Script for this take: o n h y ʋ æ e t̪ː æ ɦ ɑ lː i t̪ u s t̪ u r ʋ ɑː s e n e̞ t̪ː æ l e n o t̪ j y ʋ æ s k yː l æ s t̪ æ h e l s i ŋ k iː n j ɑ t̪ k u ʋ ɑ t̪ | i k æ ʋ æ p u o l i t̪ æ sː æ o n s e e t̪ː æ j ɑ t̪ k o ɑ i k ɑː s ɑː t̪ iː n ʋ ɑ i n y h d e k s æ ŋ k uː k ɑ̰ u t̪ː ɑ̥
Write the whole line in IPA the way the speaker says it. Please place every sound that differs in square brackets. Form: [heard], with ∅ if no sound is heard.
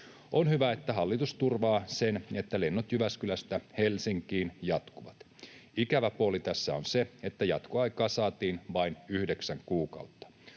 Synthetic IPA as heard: o n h y ʋ æ e t̪ː æ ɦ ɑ lː i t̪ u s t̪ u r ʋ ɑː s e n e̞ t̪ː æ l e [nː] o t̪ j y ʋ æ s k [y] l æ s t̪ æ h e l s i ŋ k iː n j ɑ t̪ k u ʋ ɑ t̪ | i k æ ʋ æ p u o l i t̪ æ sː æ o n s e e t̪ː æ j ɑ t̪ k o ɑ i k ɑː s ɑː t̪ iː n ʋ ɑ i n y h d e k s æ ŋ k uː k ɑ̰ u t̪ː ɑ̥